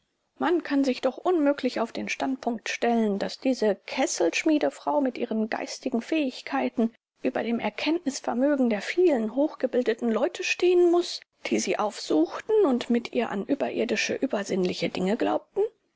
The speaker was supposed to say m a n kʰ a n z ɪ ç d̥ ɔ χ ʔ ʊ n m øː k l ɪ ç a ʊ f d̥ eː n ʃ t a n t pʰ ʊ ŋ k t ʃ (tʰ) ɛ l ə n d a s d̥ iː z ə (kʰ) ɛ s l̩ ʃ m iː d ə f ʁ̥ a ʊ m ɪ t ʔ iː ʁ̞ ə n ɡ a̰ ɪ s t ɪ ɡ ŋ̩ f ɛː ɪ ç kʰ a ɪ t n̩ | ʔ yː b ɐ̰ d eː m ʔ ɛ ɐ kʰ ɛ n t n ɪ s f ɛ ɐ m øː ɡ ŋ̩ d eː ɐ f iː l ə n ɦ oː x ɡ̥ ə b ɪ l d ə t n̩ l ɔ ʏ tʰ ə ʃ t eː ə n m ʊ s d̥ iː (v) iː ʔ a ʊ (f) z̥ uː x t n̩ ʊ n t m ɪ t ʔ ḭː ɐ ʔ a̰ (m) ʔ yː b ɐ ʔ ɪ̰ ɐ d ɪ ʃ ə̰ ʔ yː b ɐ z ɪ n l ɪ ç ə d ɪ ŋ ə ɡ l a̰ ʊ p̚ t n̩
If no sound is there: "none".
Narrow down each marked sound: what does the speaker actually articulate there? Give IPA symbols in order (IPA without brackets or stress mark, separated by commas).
t, kʰ, z, f, n